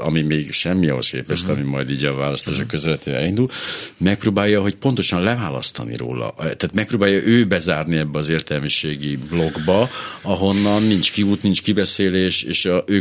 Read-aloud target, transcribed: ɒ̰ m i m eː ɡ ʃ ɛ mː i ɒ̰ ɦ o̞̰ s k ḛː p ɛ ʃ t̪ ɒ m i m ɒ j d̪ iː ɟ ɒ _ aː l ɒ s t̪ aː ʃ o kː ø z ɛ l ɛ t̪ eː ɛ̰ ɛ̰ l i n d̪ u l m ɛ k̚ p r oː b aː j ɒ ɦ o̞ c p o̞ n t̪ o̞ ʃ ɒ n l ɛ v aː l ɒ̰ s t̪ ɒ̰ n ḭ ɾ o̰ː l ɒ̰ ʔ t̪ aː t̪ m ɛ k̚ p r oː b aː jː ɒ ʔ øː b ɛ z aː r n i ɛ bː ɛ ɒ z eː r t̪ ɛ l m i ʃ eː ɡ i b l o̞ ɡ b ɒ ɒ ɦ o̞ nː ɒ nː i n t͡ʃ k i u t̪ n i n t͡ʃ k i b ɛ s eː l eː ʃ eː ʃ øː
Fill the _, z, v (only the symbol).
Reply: v